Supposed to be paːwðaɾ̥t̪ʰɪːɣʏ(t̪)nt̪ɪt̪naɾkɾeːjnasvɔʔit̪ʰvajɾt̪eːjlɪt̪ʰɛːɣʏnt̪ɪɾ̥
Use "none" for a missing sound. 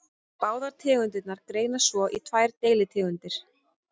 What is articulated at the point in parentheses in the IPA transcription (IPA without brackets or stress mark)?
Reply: none